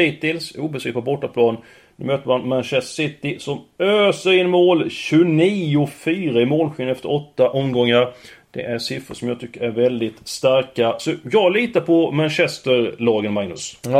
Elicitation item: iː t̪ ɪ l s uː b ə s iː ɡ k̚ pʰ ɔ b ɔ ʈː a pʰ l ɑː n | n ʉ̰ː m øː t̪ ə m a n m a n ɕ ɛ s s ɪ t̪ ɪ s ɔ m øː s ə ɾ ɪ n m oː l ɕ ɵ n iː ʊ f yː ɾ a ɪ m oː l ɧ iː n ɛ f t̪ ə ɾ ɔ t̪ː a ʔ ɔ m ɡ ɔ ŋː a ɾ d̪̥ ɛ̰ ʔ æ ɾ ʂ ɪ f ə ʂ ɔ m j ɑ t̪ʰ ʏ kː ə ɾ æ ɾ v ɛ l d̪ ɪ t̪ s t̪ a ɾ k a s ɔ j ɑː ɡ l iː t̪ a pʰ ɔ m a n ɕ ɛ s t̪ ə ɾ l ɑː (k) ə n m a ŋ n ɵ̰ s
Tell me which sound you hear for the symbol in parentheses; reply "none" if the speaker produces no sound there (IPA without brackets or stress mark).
ɡ